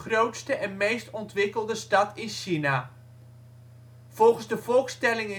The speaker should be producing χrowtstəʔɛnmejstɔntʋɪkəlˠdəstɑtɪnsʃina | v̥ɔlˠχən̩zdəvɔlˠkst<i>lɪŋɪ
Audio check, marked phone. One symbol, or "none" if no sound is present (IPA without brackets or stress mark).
ɛ